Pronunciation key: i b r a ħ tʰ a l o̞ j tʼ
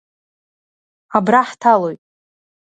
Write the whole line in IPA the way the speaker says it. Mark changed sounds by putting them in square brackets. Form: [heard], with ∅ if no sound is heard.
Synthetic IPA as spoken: [a] b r a ħ tʰ a l o̞ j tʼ